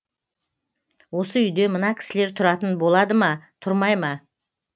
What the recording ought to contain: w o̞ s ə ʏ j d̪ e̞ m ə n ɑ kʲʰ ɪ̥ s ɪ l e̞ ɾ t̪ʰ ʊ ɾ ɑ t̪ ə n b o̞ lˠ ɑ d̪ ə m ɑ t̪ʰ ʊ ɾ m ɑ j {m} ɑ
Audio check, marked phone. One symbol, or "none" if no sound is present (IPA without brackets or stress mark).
m